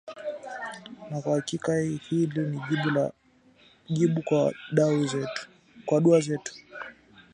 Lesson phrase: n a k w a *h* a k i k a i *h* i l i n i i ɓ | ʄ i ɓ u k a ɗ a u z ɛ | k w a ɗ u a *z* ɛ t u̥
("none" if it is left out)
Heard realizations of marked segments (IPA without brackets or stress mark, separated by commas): h, h, z